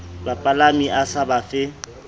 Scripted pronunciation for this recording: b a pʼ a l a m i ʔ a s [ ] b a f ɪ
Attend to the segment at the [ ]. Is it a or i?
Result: a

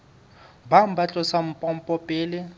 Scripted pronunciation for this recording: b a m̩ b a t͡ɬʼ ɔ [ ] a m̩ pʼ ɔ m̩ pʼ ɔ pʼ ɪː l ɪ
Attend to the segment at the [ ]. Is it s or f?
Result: s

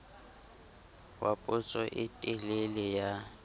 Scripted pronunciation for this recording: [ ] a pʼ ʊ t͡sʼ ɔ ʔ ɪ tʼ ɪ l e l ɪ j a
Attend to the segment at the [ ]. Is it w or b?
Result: w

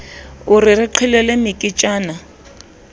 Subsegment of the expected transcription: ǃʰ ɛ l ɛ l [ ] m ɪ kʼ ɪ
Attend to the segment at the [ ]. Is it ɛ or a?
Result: ɛ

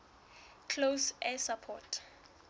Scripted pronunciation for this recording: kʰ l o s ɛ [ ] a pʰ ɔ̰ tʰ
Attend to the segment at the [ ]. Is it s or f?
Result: s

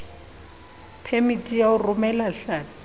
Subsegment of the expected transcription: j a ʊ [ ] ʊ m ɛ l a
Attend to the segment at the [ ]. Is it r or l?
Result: r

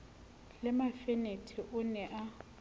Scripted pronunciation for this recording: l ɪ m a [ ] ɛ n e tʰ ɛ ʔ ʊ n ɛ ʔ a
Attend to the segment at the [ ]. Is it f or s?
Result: f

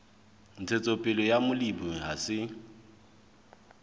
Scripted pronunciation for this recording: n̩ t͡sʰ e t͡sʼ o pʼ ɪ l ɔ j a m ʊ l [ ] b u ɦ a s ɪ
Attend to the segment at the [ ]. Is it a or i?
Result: i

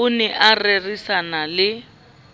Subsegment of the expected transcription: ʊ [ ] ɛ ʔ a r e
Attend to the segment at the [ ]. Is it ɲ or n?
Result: n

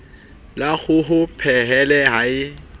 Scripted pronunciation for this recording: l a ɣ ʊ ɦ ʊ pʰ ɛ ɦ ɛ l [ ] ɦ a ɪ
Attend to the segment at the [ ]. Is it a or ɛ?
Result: ɛ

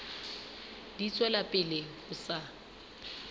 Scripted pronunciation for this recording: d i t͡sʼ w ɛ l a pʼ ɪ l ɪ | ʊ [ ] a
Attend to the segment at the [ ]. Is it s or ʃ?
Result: s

